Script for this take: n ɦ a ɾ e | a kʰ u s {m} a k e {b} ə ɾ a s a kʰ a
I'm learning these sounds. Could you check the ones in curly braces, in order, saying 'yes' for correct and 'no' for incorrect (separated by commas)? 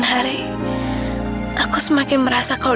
yes, no